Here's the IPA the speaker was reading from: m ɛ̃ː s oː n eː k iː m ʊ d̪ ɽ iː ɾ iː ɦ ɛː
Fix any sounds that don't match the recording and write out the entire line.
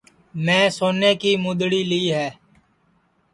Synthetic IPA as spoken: m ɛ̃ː s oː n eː k iː m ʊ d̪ ɽ iː l iː ɦ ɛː

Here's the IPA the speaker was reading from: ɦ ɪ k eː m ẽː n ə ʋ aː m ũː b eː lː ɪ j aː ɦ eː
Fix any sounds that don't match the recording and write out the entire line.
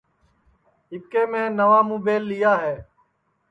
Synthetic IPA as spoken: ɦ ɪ k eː m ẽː n ə ʋ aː m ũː b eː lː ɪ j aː ɦ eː

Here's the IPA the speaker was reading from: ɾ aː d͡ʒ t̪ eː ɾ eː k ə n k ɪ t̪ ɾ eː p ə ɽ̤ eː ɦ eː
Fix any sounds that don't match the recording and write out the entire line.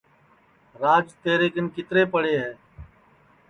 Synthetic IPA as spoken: ɾ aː d͡ʒ t̪ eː ɾ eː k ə n k ɪ t̪ ɾ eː p ə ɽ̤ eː ɦ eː

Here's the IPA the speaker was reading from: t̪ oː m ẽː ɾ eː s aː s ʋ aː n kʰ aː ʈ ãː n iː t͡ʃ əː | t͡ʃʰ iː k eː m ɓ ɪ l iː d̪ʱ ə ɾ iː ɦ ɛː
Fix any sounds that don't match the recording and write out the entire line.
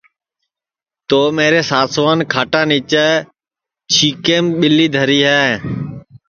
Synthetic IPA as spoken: t̪ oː m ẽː ɾ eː s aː s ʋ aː n kʰ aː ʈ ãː n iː t͡ʃ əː | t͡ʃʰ iː k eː m ɓ ɪ l iː d̪ʱ ə ɾ iː ɦ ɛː

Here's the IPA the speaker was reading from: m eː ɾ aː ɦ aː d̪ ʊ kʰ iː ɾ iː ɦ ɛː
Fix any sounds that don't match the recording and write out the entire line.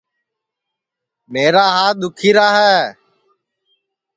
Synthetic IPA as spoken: m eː ɾ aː ɦ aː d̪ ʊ kʰ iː ɾ aː ɦ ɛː

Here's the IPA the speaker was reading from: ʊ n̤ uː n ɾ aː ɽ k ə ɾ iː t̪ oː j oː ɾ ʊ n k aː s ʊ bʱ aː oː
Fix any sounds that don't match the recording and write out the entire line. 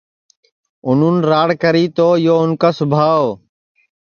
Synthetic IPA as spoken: ʊ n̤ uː n ɾ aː ɽ k ə ɾ iː t̪ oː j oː ʊ n k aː s ʊ bʱ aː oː

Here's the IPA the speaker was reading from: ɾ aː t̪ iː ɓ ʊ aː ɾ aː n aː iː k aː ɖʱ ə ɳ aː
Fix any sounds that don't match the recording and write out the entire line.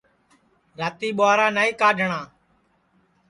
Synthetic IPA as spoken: ɾ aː t̪ iː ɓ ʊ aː ɾ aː n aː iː k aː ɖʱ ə ɳ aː

